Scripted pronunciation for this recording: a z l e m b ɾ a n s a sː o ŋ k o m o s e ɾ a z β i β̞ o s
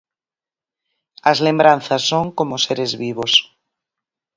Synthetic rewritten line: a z l e m b ɾ a n θ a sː o ŋ k o m o s e ɾ e z β i β̞ o s

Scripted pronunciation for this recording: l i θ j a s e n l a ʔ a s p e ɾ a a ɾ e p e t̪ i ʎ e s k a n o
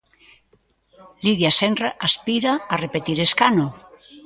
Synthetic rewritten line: l i ð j a s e n r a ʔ a s p i ɾ a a r e p e t̪ i ɾ e s k a n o

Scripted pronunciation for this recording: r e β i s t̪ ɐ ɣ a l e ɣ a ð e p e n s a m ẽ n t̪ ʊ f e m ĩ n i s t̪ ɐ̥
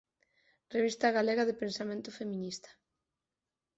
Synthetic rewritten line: r e β i s t̪ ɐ ɣ a l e ɣ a ð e p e n s a m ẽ n t̪ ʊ f e m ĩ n i s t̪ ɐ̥

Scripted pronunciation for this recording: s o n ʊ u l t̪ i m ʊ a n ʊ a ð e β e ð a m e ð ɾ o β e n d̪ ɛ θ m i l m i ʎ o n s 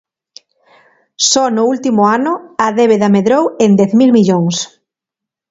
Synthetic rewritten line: s ɔ n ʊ u l t̪ i m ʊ a n ʊ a ð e β e ð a m e ð ɾ o w e n d̪ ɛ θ m i l m i ʎ o ŋ s

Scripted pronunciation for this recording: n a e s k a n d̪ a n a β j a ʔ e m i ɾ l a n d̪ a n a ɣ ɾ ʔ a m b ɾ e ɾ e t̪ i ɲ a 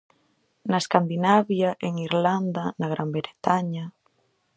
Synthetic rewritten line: n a e s k a n d̪ i n a β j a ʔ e ŋ i ɾ l a n d̪ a n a ɣ ɾ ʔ a m b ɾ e ɾ e t̪ a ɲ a

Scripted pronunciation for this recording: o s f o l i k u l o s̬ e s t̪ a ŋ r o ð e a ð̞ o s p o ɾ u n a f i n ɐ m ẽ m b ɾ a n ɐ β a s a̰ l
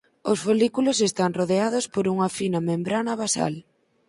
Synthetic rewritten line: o s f o l i k u l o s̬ e s t̪ a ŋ r o ð e a ð̞ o s p o ɾ u ŋ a f i n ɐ m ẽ m b ɾ a n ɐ β a s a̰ l

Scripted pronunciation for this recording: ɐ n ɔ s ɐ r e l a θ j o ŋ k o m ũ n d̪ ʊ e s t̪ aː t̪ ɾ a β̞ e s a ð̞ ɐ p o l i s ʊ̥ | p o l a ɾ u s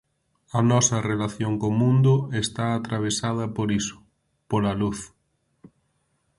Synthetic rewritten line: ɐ n ɔ s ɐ r e l a θ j o ŋ k o m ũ n d̪ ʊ e s t̪ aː t̪ ɾ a β̞ e s a ð̞ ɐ p o ɾ i s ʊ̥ | p o l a l u θ

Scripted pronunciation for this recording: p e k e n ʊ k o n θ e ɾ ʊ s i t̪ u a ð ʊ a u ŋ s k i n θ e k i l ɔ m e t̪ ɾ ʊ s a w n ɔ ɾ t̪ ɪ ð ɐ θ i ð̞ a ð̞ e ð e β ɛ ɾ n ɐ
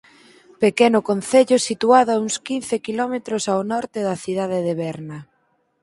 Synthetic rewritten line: p e k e n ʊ k o n θ e ʎ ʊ s i t̪ u a ð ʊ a u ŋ s k i n θ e k i l ɔ m e t̪ ɾ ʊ s a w n ɔ ɾ t̪ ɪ ð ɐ θ i ð̞ a ð̞ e ð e β ɛ ɾ n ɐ

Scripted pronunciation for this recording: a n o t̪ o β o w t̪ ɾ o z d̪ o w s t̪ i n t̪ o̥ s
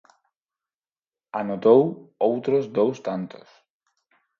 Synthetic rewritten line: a n o t̪ o w o w t̪ ɾ o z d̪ o w s t̪ a n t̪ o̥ s

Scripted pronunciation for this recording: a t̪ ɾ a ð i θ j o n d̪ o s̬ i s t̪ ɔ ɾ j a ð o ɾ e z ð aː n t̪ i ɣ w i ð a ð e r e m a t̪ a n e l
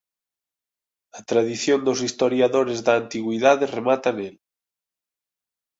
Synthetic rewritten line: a t̪ ɾ a ð i θ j o n d̪ o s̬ i s t̪ o ɾ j a ð o ɾ e z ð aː n t̪ i ɣ w i ð a ð e r e m a t̪ a n e l

